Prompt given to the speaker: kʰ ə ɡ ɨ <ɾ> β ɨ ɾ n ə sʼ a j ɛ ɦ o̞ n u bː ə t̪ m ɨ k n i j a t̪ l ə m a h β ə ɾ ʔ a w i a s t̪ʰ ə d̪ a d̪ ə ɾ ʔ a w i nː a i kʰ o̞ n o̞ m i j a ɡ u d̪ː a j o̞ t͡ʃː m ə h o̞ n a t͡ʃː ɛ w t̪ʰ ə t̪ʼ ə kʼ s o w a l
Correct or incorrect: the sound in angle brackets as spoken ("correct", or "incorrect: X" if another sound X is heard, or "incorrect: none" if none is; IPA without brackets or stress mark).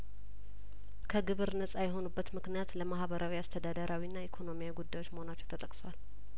incorrect: none